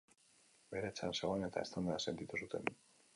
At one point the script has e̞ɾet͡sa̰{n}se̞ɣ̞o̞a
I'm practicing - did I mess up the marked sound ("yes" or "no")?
no